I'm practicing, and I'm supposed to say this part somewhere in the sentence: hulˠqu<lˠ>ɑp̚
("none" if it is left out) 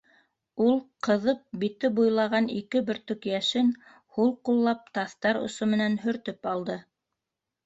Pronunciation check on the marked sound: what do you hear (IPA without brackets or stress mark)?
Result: lˠː